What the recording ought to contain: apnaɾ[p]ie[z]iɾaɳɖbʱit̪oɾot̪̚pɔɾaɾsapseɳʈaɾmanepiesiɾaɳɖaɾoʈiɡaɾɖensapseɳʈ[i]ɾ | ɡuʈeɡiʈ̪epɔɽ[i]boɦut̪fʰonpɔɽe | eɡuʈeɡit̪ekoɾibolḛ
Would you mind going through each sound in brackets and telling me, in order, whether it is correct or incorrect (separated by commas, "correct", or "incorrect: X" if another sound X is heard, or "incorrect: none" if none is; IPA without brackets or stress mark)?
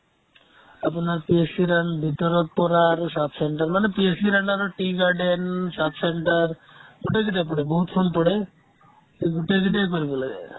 correct, incorrect: s, incorrect: a, incorrect: e